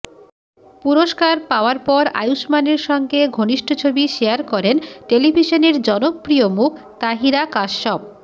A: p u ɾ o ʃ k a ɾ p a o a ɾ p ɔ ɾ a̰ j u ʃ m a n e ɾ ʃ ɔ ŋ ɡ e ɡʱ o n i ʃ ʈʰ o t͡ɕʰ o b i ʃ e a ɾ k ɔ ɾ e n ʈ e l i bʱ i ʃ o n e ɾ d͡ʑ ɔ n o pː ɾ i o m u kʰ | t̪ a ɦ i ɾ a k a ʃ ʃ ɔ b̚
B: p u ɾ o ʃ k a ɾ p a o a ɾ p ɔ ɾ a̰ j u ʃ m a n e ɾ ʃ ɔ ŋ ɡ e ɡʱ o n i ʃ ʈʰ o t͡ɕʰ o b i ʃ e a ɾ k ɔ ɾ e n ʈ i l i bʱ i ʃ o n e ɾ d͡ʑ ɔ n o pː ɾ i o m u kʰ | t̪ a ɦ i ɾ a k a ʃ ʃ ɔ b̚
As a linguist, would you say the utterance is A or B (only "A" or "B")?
A